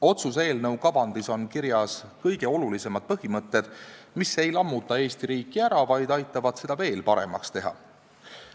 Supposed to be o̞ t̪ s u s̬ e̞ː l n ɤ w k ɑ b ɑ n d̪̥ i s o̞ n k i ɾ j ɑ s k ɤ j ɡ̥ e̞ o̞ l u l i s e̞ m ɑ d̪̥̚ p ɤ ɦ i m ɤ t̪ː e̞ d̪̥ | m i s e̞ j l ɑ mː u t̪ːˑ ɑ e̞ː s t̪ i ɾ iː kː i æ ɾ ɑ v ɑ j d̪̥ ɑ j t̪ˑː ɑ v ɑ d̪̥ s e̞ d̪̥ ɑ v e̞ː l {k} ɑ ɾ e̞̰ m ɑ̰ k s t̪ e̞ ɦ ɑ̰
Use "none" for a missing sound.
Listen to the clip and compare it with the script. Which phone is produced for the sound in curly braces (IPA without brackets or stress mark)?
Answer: p